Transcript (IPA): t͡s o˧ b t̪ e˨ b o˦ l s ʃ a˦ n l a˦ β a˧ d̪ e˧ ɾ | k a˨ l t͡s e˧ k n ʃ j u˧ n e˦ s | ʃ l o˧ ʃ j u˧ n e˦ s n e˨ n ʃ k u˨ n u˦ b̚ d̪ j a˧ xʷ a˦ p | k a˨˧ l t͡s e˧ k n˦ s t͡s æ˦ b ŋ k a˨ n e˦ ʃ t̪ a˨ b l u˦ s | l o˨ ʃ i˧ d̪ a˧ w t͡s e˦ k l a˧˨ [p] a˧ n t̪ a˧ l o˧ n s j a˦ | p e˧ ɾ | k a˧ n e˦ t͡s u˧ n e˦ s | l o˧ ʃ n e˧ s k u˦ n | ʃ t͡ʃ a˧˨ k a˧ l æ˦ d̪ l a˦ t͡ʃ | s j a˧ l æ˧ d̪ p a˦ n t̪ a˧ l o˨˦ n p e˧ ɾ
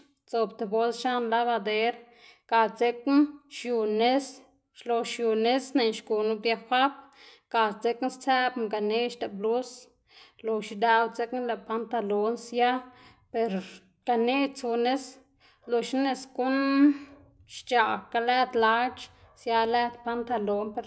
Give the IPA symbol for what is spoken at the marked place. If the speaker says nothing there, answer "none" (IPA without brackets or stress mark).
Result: p